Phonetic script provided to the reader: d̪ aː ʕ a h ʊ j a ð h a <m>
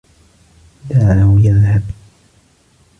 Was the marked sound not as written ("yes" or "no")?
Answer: yes